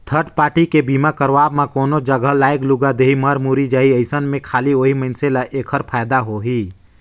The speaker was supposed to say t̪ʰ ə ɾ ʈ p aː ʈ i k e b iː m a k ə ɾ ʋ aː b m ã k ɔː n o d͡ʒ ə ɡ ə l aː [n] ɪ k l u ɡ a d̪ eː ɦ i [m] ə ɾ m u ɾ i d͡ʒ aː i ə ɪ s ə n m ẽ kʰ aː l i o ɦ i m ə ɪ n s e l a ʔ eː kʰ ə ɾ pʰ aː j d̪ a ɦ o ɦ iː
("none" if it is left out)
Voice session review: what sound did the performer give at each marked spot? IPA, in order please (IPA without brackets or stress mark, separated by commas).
none, m